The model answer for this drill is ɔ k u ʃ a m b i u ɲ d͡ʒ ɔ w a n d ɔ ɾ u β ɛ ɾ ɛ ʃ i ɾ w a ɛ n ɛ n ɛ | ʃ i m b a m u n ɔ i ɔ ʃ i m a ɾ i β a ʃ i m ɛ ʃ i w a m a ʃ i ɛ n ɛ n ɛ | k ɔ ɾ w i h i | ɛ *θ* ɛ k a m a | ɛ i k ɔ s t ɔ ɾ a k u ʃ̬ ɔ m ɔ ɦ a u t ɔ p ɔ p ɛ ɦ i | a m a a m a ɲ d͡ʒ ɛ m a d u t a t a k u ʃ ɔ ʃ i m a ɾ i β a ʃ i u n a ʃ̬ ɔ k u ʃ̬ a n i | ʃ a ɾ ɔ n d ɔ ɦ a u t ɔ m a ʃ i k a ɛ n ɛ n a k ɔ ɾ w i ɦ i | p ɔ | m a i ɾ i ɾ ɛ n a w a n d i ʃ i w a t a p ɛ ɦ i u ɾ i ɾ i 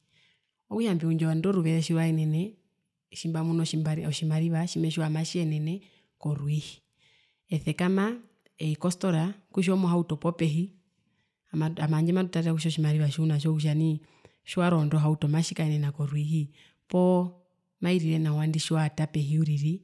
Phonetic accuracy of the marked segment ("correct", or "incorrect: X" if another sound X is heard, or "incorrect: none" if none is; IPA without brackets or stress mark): correct